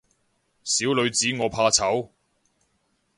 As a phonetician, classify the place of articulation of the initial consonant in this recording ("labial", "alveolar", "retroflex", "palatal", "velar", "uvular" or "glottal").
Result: alveolar